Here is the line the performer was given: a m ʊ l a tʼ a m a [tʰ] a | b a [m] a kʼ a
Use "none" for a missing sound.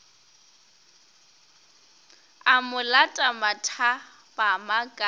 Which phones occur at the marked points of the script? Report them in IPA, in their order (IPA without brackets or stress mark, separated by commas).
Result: tʰ, m